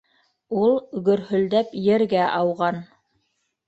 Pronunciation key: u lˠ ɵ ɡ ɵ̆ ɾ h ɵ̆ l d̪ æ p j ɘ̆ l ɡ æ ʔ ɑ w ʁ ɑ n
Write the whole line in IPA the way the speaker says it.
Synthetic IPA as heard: u lˠ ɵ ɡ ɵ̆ ɾ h ɵ̆ l d̪ æ p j ɘ̆ ɾ ɡ æ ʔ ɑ w ʁ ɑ n